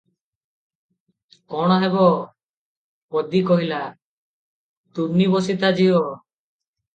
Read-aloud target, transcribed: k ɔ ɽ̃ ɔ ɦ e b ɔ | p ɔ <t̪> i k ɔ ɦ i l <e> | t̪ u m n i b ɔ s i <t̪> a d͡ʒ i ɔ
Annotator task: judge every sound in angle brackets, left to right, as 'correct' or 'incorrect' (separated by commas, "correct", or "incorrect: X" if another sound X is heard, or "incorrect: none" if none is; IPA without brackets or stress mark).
incorrect: d̪, incorrect: a, correct